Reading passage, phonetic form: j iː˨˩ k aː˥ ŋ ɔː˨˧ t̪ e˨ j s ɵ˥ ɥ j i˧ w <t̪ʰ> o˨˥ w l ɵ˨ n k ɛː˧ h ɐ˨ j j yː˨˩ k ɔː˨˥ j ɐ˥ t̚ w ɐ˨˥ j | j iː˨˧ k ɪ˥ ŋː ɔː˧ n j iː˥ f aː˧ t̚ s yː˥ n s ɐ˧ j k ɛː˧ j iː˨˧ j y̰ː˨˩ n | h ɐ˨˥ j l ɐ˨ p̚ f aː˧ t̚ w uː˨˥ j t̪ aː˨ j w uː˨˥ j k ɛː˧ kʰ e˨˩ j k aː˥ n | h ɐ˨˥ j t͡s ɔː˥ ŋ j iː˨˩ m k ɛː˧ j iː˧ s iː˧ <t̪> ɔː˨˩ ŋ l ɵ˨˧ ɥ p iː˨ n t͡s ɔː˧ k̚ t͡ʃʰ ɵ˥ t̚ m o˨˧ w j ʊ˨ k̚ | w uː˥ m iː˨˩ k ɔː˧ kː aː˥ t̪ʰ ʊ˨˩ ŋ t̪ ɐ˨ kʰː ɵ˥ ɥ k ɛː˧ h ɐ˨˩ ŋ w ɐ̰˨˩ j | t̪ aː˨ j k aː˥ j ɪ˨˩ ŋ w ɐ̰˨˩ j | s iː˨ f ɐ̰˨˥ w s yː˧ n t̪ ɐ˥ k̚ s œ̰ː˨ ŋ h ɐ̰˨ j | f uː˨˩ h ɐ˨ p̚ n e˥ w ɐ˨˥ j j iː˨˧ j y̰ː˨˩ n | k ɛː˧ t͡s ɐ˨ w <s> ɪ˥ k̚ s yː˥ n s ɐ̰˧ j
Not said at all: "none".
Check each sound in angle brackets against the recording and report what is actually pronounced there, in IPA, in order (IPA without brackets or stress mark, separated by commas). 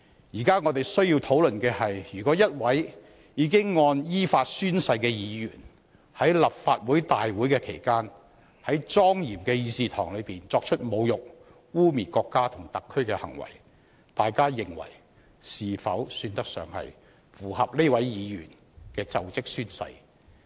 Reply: t̪ʰ, t̪ʰ, t͡s